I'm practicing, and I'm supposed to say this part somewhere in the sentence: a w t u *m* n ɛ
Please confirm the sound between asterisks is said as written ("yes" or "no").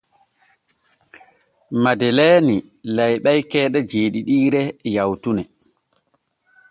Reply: no